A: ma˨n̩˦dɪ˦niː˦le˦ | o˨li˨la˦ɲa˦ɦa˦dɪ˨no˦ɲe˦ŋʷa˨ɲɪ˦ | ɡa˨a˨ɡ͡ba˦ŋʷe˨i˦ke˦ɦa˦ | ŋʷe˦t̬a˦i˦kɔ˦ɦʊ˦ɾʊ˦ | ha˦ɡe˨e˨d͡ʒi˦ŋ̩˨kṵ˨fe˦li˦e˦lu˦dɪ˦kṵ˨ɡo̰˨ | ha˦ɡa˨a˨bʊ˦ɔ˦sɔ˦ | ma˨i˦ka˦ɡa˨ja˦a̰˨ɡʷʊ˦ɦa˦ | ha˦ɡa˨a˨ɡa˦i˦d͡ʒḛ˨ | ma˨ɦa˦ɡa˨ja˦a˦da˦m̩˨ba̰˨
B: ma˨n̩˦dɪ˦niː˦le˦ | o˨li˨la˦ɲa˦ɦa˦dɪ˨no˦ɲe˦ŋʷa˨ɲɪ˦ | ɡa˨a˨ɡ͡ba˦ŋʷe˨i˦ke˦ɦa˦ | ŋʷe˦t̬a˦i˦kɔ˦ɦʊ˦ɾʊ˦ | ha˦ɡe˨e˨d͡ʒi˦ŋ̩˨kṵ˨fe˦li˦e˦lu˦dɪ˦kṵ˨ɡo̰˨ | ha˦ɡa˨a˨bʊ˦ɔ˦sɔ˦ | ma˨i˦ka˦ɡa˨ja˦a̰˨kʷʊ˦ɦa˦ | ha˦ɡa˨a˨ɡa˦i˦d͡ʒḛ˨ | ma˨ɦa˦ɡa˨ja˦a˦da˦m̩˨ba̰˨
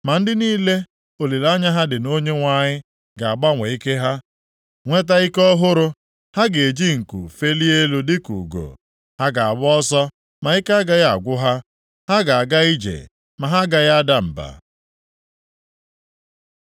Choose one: A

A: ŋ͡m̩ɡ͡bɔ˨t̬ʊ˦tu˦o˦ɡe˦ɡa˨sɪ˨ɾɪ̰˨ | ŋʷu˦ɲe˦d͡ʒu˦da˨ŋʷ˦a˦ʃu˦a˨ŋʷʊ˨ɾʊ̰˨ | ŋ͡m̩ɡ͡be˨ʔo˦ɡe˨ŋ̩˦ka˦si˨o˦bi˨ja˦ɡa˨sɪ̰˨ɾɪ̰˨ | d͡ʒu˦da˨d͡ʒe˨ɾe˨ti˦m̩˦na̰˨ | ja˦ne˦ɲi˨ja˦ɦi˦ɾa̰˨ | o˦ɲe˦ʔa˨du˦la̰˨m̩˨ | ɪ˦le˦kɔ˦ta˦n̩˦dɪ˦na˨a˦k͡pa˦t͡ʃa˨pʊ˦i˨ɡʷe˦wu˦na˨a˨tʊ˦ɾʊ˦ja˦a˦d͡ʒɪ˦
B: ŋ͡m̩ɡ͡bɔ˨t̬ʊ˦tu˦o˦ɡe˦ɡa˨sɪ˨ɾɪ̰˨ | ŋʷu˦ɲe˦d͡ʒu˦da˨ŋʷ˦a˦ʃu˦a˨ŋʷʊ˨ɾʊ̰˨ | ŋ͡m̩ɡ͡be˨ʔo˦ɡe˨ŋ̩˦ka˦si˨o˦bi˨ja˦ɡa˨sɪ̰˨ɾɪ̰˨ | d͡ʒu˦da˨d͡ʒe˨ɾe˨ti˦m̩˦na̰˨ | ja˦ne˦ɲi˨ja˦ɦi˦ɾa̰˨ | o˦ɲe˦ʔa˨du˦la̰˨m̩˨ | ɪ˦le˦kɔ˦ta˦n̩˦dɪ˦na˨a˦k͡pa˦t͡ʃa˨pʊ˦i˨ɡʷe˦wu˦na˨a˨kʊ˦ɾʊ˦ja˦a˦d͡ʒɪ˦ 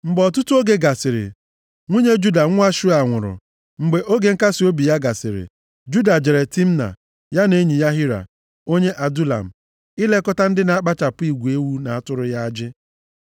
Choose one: A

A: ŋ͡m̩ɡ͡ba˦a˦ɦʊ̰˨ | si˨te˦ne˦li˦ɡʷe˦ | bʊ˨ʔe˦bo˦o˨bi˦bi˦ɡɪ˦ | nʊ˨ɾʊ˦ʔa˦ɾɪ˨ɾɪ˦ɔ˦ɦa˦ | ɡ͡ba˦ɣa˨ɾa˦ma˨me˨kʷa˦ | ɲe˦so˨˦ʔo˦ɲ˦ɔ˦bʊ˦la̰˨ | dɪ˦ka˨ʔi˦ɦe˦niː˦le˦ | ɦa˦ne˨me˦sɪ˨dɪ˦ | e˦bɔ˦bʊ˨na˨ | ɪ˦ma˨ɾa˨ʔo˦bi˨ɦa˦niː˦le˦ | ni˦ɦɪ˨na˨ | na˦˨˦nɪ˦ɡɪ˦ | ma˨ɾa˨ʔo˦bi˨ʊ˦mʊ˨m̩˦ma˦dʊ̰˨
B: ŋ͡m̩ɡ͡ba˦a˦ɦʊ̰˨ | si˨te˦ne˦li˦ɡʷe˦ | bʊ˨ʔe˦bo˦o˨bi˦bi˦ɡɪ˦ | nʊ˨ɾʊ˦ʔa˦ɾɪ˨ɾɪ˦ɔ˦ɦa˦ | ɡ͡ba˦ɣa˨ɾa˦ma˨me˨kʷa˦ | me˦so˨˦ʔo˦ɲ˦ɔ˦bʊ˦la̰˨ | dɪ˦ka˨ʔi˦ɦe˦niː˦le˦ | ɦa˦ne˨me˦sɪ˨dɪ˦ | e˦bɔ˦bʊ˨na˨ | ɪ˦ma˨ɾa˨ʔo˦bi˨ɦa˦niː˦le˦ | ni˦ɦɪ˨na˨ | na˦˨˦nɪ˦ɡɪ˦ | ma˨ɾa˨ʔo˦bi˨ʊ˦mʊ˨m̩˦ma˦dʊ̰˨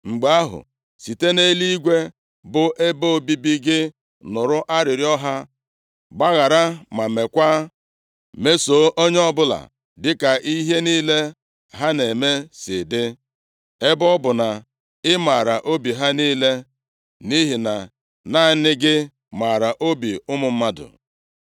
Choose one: B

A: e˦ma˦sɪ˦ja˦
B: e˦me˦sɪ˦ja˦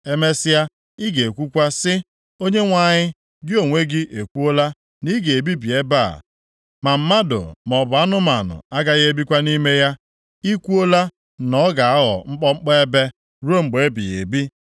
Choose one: B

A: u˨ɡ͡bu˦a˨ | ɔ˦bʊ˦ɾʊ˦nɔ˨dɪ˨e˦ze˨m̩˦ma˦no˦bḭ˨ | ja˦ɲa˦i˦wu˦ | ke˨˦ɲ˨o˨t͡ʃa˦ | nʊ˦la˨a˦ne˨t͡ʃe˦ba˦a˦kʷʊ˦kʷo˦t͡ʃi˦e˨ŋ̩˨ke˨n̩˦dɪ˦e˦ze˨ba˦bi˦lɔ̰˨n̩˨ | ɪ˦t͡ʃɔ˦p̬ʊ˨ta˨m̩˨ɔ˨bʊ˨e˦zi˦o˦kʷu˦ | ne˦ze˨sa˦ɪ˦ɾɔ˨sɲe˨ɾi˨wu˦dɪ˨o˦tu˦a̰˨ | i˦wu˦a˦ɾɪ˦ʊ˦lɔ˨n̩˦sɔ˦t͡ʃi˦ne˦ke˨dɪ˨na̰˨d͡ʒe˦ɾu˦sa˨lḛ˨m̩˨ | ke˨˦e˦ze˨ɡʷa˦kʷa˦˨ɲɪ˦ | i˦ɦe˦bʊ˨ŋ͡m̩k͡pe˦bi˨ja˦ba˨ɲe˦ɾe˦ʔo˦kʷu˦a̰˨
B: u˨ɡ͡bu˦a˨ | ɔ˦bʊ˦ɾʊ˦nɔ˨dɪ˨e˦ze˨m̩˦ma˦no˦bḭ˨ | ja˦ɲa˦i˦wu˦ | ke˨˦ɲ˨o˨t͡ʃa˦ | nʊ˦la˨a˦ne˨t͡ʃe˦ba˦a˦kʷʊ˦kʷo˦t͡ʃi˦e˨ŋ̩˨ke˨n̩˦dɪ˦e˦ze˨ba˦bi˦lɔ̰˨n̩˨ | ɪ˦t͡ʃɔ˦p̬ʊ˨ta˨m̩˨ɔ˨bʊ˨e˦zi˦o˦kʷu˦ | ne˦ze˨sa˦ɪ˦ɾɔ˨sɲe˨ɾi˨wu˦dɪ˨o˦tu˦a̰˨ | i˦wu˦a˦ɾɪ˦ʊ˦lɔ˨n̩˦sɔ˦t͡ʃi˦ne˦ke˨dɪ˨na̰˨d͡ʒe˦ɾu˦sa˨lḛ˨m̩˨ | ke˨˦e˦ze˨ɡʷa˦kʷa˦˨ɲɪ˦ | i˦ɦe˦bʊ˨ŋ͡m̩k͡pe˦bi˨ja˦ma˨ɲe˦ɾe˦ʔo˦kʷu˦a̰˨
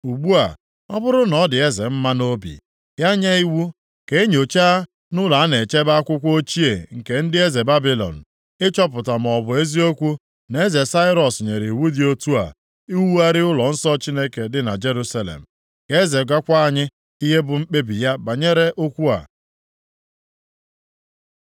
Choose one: A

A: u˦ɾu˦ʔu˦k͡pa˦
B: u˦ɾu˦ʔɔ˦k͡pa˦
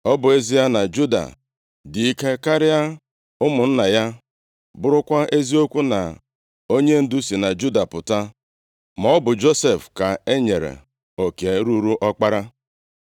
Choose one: B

